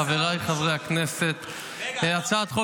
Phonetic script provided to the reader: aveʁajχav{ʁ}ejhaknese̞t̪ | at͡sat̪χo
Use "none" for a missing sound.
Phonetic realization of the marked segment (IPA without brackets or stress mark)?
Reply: ʁ